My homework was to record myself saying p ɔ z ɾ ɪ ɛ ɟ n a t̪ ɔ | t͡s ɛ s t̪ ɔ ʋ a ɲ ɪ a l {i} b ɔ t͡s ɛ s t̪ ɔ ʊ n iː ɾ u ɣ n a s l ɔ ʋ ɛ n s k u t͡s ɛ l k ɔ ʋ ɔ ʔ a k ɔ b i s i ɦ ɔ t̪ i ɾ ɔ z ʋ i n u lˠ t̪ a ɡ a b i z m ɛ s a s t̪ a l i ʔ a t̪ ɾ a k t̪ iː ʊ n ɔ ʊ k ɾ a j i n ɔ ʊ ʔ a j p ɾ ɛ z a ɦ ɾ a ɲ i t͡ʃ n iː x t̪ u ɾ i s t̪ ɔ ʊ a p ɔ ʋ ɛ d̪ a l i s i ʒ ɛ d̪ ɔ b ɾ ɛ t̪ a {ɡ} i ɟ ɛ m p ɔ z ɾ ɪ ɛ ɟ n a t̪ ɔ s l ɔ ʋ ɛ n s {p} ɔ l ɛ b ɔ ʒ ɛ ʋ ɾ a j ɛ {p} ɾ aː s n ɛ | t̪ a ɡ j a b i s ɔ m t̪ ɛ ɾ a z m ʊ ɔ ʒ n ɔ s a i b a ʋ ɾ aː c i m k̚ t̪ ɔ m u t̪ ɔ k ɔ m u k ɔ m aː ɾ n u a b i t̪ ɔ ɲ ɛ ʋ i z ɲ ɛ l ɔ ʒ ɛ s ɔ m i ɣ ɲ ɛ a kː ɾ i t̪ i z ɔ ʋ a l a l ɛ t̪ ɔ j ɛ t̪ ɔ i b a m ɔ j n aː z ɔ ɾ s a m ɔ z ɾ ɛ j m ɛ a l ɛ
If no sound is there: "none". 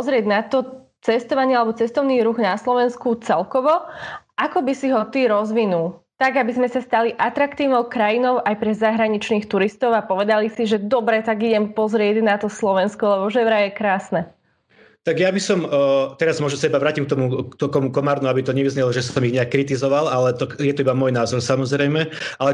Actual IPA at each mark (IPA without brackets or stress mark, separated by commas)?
ɛ, ɡ, k, k